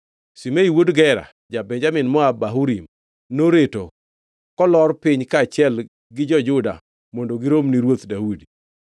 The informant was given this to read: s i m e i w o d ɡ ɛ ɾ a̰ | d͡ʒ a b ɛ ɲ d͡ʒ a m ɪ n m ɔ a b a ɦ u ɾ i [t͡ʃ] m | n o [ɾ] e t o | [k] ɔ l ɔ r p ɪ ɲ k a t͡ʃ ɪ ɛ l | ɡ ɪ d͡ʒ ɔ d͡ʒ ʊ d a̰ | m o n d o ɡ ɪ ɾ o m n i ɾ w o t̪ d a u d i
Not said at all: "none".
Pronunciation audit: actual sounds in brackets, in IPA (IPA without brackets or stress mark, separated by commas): none, ɾ, k